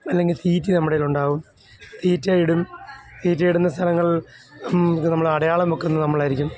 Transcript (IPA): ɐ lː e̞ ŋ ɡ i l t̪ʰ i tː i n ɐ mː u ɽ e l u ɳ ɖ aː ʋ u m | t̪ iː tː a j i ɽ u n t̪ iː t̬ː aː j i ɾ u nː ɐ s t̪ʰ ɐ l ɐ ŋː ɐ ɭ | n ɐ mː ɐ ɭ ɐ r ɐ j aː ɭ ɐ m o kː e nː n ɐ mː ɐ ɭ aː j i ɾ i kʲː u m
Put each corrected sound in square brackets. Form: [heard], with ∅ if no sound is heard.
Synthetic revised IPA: ɐ lː e̞ ŋ ɡ i l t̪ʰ [iː] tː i n ɐ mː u ɽ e l u ɳ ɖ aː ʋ u m | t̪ iː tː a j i ɽ u [m] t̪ iː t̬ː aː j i [ɽ] u nː ɐ s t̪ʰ ɐ l ɐ ŋː ɐ ɭ | n ɐ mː ɐ ɭ ɐ [ɽ] ɐ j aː ɭ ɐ m o kː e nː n ɐ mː ɐ ɭ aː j i ɾ i kʲː u m